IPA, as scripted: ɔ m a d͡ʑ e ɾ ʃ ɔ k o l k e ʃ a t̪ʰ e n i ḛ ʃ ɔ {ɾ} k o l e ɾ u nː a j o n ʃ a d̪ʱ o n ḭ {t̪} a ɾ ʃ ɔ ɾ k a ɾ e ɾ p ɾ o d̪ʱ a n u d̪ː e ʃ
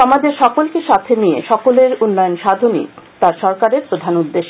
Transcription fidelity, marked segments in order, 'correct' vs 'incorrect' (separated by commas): incorrect, correct